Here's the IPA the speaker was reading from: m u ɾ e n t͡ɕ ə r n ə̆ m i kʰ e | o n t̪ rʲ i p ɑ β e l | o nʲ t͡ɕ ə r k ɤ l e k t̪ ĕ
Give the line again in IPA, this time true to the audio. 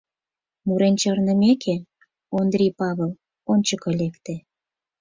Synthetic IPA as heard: m u ɾ e n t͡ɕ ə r n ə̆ m e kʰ e | o n d̪ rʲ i p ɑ β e l | o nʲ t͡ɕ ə k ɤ l e k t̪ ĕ

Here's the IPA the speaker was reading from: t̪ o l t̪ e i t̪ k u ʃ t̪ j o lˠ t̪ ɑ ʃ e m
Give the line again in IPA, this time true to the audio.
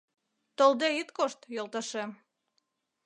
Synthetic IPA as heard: t̪ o l d̪ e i t̪ k o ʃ t̪ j o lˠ t̪ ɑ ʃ e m

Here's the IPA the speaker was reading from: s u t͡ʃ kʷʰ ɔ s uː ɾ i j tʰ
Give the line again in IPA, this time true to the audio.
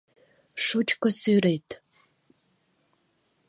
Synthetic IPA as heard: ʂ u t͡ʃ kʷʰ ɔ s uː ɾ e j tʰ

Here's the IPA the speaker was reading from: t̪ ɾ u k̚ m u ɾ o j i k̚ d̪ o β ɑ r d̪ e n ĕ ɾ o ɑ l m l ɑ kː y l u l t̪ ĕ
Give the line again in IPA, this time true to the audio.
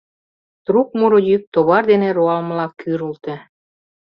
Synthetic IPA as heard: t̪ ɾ u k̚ m u ɾ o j y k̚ t̪ o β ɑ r d̪ e n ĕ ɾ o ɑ l m l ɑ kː y ɾ u l t̪ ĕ

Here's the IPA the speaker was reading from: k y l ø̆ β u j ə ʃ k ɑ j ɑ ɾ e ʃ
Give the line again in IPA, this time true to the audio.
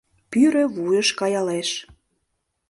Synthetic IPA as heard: p y ɾ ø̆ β u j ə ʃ k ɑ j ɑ l e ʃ

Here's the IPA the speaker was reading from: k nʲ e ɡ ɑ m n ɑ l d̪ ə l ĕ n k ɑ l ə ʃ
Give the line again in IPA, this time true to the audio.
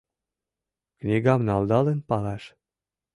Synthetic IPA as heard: k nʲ i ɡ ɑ m n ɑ l d̪ ɑ l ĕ n p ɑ l ɑ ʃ

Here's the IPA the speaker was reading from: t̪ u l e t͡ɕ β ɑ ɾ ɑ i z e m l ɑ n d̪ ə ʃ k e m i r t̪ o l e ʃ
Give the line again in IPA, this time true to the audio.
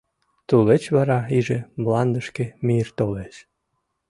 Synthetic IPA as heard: t̪ u l e t͡ɕ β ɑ ɾ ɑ i ʒ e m l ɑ n d̪ ə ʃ k e m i r t̪ o l e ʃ

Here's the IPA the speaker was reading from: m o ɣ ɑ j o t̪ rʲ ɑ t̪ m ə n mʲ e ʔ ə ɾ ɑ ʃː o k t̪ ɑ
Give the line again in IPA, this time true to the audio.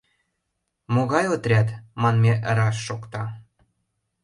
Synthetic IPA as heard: m o ɣ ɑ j o t̪ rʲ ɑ t̪ m ɑ n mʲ e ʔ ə ɾ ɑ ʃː o k t̪ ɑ

